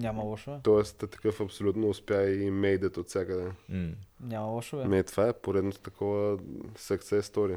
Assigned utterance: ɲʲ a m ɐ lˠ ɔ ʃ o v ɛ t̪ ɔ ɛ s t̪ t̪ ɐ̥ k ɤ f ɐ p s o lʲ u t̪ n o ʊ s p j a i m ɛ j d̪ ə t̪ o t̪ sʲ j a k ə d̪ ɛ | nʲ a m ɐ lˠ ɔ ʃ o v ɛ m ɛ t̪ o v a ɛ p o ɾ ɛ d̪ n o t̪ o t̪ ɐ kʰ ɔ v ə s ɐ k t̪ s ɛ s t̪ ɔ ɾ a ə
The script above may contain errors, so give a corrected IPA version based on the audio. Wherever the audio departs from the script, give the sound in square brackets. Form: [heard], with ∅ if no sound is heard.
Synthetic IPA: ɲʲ a m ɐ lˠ ɔ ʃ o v ɛ t̪ ɔ ɛ s t̪ t̪ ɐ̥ k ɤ f ɐ p s o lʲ u t̪ n o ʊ s p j a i m ɛ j d̪ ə t̪ o t̪ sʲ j a k ə d̪ ɛ | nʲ a m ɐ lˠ ɔ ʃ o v ɛ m ɛ t̪ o v a ɛ p o ɾ ɛ d̪ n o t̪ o t̪ ɐ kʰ ɔ v ə s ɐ k t̪ s ɛ s t̪ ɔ ɾ [i] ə